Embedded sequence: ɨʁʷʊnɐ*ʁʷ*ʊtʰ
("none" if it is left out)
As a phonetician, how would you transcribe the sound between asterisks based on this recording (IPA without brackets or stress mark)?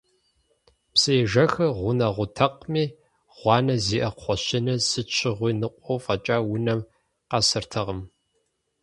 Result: ʁʷ